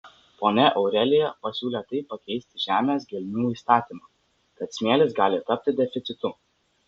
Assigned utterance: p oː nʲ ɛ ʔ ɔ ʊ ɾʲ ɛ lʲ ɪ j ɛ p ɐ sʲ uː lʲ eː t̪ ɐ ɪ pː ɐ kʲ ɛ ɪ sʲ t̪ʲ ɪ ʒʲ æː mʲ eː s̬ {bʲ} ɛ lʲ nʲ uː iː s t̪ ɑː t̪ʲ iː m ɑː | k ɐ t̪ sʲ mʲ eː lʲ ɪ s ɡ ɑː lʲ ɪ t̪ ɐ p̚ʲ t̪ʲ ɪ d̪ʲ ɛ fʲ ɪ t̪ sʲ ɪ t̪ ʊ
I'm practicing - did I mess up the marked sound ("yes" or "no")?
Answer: yes